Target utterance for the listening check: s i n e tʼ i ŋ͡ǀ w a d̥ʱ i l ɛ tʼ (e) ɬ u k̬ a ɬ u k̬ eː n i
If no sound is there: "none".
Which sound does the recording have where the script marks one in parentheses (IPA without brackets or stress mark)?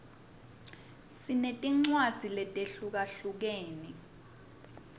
e